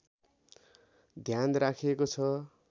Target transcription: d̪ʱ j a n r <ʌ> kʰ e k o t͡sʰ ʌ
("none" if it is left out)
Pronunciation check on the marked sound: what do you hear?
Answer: a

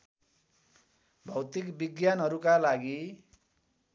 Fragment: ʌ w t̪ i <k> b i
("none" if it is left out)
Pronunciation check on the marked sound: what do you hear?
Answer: k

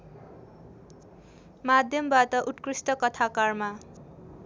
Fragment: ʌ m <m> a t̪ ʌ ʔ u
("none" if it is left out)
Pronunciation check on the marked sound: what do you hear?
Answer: b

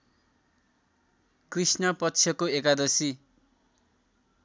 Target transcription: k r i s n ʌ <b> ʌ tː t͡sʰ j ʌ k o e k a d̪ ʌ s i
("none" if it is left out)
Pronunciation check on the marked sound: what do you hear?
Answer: p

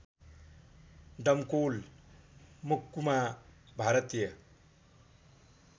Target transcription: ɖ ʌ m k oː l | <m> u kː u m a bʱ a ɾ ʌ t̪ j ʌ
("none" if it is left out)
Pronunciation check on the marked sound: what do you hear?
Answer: m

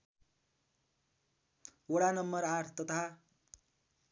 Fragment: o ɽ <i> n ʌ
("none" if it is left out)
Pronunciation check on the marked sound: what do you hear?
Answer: a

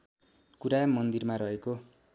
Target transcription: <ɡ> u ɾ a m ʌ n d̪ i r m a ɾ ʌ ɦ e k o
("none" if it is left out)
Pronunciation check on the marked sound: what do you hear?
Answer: k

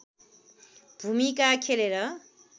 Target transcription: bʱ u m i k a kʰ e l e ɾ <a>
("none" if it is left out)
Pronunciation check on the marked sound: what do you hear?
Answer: ʌ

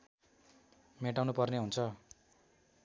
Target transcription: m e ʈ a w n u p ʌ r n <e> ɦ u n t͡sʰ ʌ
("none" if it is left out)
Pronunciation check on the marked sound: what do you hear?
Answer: e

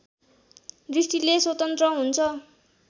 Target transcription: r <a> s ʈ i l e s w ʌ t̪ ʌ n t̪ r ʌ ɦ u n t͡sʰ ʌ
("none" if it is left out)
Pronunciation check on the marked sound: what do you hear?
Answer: i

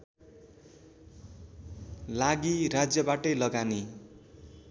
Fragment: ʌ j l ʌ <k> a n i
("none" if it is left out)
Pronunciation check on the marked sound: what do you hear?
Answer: ɡ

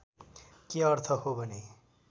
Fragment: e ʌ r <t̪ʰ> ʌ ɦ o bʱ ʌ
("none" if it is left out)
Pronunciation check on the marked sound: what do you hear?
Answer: t̪ʰ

